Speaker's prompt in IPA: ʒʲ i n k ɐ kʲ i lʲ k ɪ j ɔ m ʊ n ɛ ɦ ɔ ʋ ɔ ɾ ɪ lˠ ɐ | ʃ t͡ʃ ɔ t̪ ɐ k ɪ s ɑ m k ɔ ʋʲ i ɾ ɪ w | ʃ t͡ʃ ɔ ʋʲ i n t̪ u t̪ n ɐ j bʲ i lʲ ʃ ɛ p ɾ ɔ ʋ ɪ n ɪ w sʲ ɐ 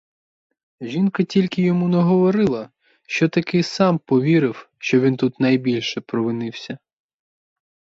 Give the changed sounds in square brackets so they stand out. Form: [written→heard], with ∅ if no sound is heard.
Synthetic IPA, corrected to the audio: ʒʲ i n k ɐ [kʲ→tʲ] i lʲ k ɪ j ɔ m [ʊ→u] n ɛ ɦ ɔ ʋ ɔ ɾ ɪ lˠ ɐ | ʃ t͡ʃ ɔ t̪ ɐ k ɪ s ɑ m [k→p] ɔ ʋʲ i ɾ ɪ w | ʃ t͡ʃ ɔ ʋʲ i n t̪ u t̪ n ɐ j bʲ i lʲ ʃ ɛ p ɾ ɔ ʋ ɪ n ɪ w sʲ ɐ